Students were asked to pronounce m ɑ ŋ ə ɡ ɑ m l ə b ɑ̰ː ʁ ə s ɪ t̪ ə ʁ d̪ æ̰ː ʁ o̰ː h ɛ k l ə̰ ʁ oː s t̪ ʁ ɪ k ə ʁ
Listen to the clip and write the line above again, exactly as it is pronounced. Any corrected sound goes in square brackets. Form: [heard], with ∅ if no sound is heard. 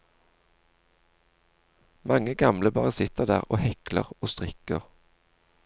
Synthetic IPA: m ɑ ŋ ə ɡ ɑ m l ə b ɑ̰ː ʁ ə s ɪ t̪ ə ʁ d̪ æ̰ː ʁ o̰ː h ɛ k l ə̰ ʁ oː s t̪ ʁ ɪ k ə ʁ